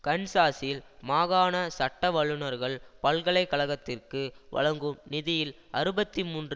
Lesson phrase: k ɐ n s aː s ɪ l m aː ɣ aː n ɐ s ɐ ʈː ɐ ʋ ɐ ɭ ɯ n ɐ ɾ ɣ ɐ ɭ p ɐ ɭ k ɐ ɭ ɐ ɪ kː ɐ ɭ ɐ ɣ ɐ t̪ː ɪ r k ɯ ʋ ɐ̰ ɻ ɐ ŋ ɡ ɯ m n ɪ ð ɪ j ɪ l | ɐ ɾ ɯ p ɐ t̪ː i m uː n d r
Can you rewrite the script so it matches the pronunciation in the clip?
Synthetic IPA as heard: k ɐ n s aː s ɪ l m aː ɣ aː n ɐ s ɐ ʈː ɐ ʋ ɐ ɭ ɯ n ɐ ɾ ɣ ɐ ɭ p ɐ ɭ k ɐ ɭ ɐ ɪ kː ɐ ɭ ɐ ɣ ɐ t̪ː ɪ r k ɯ ʋ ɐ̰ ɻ ɐ ŋ ɡ ɯ m n ɪ ð ɪ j ɪ l | ɐ ɾ ɯ b ɐ t̪ː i m uː n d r

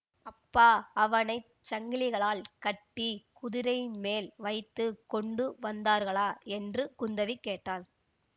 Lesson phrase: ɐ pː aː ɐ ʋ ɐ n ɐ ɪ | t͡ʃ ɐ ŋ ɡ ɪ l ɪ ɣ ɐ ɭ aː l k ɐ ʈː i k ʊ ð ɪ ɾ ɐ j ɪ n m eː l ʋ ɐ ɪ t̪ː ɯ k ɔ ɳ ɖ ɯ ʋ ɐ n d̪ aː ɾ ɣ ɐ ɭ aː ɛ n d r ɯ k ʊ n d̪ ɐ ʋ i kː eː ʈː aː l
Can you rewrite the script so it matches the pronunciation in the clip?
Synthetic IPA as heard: ɐ pː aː ɐ ʋ ɐ n ɐ ɪ | t͡ʃ ɐ ŋ ɡ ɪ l ɪ ɣ ɐ ɭ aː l k ɐ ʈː i k ʊ ð ɪ ɾ ɐ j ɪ n m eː l ʋ ɐ ɪ t̪ː ɯ k ɔ ɳ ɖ ɯ ʋ ɐ n d̪ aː ɾ ɣ ɐ ɭ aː ɛ n d r ɯ k ʊ n d̪ ɐ ʋ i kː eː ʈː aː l

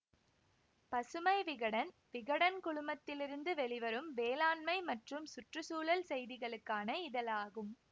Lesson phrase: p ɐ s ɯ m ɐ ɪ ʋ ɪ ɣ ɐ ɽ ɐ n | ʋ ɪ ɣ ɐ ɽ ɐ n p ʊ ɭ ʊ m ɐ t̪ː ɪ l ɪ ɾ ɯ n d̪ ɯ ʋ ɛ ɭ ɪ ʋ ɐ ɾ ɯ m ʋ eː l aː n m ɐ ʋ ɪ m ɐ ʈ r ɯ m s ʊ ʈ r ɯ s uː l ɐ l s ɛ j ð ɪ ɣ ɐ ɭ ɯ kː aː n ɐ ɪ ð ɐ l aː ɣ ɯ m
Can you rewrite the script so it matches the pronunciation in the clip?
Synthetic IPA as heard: p ɐ s ɯ m ɐ ɪ ʋ ɪ ɣ ɐ ɽ ɐ n | ʋ ɪ ɣ ɐ ɽ ɐ n k ʊ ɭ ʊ m ɐ t̪ː ɪ l ɪ ɾ ɯ n d̪ ɯ ʋ ɛ ɭ ɪ ʋ ɐ ɾ ɯ m ʋ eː l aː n m ɐ ɪ m ɐ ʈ r ɯ m s ʊ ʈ r ɯ s uː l ɐ l s ɛ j ð ɪ ɣ ɐ ɭ ɯ kː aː n ɐ ɪ ð ɐ l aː ɣ ɯ m

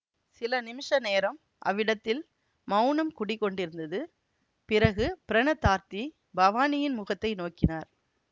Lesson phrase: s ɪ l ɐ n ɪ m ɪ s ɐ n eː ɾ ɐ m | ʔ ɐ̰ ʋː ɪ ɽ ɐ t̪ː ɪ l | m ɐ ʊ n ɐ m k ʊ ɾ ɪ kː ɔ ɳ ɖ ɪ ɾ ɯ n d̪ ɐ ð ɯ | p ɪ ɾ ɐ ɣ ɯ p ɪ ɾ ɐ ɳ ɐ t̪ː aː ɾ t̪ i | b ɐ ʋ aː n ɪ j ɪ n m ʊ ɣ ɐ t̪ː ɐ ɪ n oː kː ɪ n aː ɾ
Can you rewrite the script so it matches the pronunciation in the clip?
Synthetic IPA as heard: s ɪ l ɐ n ɪ m ɪ ʂ ɐ n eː ɾ ɐ m | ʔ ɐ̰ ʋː ɪ ɽ ɐ t̪ː ɪ l | m ɐ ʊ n ɐ m k ʊ ɽ ɪ kː ɔ ɳ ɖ ɪ ɾ ɯ n d̪ ɐ ð ɯ | p ɪ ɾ ɐ ɣ ɯ p ɪ ɾ ɐ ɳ ɐ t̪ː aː ɾ t̪ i | b ɐ ʋ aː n ɪ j ɪ n m ʊ ɣ ɐ t̪ː ɐ ɪ n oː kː ɪ n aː ɾ

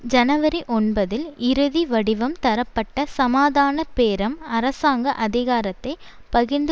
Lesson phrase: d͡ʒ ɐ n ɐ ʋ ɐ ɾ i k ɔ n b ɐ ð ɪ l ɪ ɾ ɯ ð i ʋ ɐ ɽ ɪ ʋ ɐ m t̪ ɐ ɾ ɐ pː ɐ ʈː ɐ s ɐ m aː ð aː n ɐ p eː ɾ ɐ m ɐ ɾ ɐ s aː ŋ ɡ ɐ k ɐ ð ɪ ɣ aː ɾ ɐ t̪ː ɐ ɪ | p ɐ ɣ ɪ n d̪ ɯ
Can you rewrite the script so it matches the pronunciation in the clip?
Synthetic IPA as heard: d͡ʒ ɐ n ɐ ʋ ɐ ɾ i ʔ ɔ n b ɐ ð ɪ l ɪ ɾ ɯ ð i ʋ ɐ ɽ ɪ ʋ ɐ m t̪ ɐ ɾ ɐ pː ɐ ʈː ɐ s ɐ m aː ð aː n ɐ p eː ɾ ɐ m ɐ ɾ ɐ s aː ŋ ɡ ɐ ʔ ɐ ð ɪ ɣ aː ɾ ɐ t̪ː ɐ ɪ | p ɐ ɣ ɪ n d̪ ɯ

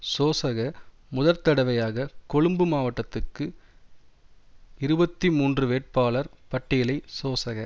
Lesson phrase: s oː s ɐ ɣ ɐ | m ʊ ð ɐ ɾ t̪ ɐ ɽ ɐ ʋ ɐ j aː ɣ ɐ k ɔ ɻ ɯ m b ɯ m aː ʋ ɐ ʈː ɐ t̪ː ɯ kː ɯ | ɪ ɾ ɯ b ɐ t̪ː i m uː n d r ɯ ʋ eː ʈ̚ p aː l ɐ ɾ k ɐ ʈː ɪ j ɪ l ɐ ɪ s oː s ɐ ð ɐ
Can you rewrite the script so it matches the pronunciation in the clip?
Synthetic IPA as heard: s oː s ɐ ɣ ɐ | m ʊ ð ɐ ɾ t̪ ɐ ɽ ɐ ʋ ɐ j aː ɣ ɐ k ɔ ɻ ɯ m b ɯ m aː ʋ ɐ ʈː ɐ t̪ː ɯ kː ɯ | ɪ ɾ ɯ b ɐ t̪ː i m uː n d r ɯ ʋ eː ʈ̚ p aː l ɐ ɾ p ɐ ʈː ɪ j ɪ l ɐ ɪ s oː s ɐ ɣ ɐ

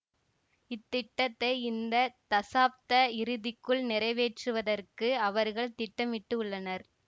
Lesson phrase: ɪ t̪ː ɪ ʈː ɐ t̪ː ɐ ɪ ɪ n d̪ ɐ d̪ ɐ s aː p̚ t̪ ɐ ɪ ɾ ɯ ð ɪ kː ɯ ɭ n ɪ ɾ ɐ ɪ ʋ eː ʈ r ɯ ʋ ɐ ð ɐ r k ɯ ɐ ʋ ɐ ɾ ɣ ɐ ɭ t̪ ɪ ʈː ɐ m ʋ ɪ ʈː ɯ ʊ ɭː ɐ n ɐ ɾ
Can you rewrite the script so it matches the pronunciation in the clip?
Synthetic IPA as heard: ɪ t̪ː ɪ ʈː ɐ t̪ː ɐ ɪ ɪ n d̪ ɐ t̪ ɐ s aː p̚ t̪ ɐ ɪ ɾ ɯ ð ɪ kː ɯ ɭ n ɪ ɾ ɐ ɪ ʋ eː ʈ r ɯ ʋ ɐ ð ɐ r k ɯ ɐ ʋ ɐ ɾ ɣ ɐ ɭ t̪ ɪ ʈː ɐ m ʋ ɪ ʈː ɯ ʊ ɭː ɐ n ɐ ɾ

